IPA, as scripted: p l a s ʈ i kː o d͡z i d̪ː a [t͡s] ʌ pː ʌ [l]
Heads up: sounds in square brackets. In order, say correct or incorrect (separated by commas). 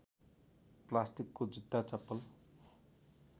correct, correct